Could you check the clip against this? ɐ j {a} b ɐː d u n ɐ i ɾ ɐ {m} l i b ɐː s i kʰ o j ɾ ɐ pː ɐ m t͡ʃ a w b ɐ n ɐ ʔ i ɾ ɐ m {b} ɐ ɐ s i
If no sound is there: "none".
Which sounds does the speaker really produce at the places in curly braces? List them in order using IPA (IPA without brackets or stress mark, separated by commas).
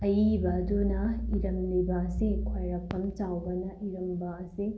i, m, b